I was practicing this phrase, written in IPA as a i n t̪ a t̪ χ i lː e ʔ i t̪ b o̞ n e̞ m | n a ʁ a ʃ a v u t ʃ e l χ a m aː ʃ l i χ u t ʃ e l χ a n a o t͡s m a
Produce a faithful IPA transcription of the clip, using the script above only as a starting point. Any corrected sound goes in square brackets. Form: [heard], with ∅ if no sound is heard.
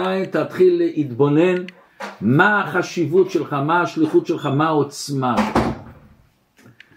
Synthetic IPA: a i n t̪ a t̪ χ i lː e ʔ i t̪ b o̞ n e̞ [n] | [m] a [χ] a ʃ [i] v u t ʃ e l χ a m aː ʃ l i χ u t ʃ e l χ a [m] a o t͡s m a